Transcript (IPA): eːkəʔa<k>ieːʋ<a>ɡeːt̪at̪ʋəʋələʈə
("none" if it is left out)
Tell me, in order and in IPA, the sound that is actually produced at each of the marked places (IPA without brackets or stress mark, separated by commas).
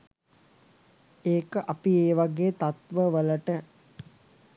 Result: p, a